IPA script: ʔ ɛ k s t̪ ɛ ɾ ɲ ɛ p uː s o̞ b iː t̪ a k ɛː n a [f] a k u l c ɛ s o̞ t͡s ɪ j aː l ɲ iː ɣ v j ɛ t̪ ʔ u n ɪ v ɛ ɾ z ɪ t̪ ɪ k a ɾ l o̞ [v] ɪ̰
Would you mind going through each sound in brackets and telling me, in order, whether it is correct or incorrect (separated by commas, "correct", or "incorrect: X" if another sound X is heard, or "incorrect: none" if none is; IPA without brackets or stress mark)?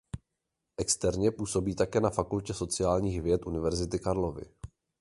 correct, correct